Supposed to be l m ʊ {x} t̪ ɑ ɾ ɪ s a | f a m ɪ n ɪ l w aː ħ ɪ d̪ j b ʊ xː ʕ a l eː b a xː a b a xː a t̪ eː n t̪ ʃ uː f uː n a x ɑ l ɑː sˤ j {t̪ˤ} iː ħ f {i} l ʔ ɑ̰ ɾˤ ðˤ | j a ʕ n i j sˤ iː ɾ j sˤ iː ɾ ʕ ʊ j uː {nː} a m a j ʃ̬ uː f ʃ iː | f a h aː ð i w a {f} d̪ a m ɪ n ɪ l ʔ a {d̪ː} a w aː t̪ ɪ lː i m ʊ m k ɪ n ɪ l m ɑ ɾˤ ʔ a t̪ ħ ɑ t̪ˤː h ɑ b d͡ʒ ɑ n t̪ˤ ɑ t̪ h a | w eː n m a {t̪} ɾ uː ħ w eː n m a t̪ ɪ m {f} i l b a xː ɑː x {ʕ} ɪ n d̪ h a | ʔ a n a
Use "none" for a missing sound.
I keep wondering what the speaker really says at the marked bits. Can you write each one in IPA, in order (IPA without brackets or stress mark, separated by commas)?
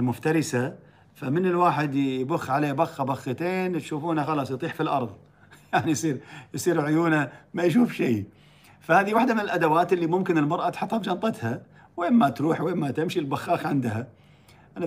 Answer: f, t̪ˤ, i, n, ħ, d̪, t̪, ʃ, ʕ